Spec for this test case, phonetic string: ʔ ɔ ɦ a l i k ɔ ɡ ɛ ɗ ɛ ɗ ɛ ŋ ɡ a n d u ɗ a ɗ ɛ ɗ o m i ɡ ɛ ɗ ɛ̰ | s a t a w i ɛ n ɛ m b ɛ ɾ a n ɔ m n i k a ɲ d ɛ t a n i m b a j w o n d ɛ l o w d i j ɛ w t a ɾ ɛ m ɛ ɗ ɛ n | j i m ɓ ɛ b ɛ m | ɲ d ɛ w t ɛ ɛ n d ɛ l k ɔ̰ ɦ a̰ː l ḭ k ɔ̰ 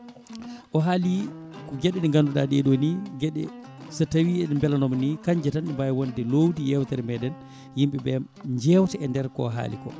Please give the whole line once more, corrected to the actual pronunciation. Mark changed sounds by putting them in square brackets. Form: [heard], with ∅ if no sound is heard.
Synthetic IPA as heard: ʔ ɔ ɦ a l i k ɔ ɡ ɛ ɗ ɛ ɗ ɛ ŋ ɡ a n d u ɗ a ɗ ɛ ɗ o [n] i ɡ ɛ ɗ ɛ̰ | s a t a w i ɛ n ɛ m b ɛ [l] a n ɔ m n i k a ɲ [d͡ʒ] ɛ t a n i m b a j w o n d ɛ l o w d i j ɛ w t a ɾ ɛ m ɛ ɗ ɛ n | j i m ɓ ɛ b ɛ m | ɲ [d͡ʒ] ɛ w t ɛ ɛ n d ɛ [ɾ] k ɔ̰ ɦ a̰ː l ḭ k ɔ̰